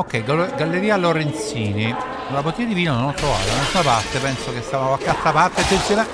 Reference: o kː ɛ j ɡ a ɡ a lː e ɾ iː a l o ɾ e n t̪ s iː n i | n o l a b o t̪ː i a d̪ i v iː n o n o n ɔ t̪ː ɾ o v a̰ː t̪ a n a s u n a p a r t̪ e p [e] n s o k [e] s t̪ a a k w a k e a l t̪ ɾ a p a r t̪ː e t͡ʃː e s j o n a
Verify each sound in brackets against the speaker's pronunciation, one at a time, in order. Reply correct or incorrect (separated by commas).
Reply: incorrect, correct